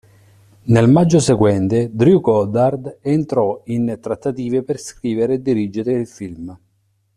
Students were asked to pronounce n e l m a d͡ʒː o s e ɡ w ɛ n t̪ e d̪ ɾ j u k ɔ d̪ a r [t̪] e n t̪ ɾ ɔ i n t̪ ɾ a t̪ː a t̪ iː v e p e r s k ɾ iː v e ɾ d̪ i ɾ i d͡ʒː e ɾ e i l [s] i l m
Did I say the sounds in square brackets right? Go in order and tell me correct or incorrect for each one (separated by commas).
incorrect, incorrect